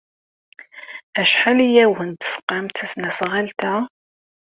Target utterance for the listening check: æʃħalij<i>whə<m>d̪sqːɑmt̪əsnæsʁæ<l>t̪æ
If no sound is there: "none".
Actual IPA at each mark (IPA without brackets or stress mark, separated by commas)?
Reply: æ, n, l